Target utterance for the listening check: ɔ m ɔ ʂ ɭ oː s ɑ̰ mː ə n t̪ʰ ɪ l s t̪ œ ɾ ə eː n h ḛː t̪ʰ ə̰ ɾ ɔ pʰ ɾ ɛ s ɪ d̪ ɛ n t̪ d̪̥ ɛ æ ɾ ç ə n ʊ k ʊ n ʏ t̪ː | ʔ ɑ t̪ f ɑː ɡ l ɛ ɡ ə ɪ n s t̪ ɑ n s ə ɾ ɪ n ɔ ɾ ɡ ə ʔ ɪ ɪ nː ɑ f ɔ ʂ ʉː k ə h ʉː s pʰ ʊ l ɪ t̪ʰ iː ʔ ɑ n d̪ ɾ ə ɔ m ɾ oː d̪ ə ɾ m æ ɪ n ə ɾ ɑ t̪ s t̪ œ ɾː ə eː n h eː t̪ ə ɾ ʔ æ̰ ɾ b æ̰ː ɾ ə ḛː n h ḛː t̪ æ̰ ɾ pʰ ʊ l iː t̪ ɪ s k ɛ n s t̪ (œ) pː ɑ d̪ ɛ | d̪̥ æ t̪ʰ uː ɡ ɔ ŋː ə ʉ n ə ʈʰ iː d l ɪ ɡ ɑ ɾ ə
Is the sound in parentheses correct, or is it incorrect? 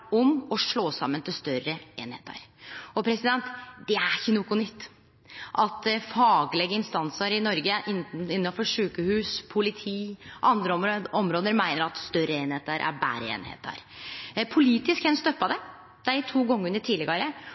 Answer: correct